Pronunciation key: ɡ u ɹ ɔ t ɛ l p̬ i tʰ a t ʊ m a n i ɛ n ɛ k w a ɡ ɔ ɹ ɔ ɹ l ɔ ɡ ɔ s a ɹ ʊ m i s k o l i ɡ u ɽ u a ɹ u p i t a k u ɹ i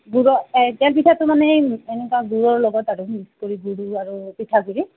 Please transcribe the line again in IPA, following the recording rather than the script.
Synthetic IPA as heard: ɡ u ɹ ɔ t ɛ l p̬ i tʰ a t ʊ m a n ɛ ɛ n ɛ k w a ɡ u ɹ ɔ ɹ l ɔ ɡ ɔ t a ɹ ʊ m i s k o ɹ i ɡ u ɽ u a ɹ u p i tʰ a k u ɹ i